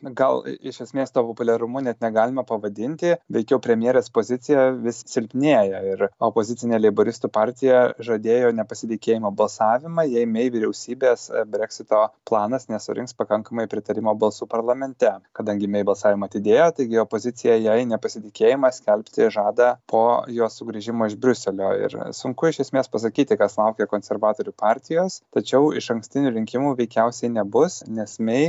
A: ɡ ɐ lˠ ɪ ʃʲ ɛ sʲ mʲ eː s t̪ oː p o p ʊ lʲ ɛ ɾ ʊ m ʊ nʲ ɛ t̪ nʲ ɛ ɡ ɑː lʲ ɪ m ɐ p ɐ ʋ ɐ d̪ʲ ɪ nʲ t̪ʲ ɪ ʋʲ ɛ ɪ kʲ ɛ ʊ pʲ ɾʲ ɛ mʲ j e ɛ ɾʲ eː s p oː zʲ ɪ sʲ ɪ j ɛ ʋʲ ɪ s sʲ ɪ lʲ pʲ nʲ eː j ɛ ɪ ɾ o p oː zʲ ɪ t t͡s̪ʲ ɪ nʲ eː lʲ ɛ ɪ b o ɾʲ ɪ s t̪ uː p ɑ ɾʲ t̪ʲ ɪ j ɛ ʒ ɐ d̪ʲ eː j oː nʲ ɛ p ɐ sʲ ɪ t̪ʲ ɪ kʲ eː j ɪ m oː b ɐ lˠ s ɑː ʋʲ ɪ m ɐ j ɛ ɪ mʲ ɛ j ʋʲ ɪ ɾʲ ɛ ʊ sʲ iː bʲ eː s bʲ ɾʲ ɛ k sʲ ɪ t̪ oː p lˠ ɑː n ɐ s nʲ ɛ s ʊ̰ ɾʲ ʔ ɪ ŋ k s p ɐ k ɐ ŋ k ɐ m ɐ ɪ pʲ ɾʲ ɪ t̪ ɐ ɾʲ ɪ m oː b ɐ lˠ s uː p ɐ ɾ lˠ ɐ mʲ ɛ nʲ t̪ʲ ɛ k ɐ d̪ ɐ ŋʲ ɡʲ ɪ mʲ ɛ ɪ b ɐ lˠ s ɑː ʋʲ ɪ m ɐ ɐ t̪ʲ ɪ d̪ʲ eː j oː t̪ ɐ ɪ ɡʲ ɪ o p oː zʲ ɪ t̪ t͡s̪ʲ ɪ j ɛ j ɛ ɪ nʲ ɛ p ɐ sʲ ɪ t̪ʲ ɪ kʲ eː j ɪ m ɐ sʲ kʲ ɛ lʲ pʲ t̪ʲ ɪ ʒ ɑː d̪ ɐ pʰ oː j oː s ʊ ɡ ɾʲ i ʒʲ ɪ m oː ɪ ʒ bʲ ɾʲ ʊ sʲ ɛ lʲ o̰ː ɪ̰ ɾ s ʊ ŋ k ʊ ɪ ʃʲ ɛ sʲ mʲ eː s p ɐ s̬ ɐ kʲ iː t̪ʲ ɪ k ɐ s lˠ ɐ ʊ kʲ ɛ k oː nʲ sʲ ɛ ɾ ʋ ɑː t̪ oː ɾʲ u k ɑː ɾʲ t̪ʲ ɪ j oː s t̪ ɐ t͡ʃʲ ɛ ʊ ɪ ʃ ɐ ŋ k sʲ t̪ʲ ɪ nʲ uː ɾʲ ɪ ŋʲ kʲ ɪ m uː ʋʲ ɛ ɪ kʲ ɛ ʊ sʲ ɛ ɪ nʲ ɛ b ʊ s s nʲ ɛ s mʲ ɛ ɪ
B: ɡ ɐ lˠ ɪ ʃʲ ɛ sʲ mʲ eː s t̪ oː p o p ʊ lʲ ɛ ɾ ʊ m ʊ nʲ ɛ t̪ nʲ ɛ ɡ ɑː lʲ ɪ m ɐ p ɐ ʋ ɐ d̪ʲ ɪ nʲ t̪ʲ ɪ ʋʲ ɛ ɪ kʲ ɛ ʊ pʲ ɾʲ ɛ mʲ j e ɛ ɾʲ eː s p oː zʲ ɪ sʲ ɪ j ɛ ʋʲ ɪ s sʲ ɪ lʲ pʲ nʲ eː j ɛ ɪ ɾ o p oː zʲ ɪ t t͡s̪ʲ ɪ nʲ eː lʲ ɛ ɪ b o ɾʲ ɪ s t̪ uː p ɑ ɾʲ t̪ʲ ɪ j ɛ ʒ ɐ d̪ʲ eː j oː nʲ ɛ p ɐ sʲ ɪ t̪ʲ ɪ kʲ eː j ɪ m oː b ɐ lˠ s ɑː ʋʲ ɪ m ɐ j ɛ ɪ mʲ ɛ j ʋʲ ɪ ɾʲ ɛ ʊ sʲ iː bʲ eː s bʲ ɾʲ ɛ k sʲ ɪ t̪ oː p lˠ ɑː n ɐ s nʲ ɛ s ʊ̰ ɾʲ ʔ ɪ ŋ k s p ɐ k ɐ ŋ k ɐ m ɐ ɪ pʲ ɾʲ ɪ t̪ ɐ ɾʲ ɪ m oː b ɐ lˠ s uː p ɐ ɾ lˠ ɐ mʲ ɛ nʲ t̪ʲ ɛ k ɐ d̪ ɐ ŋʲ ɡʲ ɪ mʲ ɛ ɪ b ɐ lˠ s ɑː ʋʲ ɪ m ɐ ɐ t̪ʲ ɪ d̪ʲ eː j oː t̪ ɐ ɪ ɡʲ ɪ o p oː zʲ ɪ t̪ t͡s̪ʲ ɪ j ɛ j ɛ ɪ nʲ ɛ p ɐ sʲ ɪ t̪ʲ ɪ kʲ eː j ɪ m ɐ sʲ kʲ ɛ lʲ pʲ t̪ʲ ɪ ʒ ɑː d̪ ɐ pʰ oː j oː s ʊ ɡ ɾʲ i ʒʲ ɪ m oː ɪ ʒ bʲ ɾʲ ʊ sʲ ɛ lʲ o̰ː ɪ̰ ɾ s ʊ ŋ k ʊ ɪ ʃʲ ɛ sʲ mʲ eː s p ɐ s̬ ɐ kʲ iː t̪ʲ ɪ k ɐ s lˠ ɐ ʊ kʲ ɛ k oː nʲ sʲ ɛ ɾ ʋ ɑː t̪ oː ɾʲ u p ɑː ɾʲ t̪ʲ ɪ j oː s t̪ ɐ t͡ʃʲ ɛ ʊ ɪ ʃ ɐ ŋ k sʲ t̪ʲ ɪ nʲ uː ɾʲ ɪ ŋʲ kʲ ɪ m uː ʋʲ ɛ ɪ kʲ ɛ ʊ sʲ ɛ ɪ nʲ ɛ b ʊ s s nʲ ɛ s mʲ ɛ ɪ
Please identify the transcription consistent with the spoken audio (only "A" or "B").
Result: B